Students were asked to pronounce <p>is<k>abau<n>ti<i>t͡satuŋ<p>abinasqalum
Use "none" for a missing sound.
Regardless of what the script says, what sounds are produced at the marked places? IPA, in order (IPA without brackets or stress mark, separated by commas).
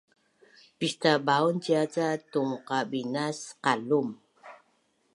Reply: p, t, n, a, q